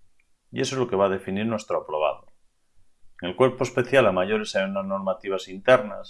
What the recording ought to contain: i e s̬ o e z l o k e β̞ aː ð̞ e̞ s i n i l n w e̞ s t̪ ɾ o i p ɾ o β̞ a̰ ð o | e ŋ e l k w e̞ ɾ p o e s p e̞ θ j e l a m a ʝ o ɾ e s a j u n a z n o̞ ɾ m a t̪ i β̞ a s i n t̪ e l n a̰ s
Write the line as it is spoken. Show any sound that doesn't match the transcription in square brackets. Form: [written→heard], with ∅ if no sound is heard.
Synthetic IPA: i e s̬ o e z l o k e β̞ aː ð̞ e̞ [s→f] i n i [l→ɾ] n w e̞ s t̪ ɾ o [i→a] p ɾ o β̞ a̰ ð o | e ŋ e l k w e̞ ɾ p o e s p e̞ θ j [e→a] l a m a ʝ o ɾ e s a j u n a z n o̞ ɾ m a t̪ i β̞ a s i n t̪ e [l→ɾ] n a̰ s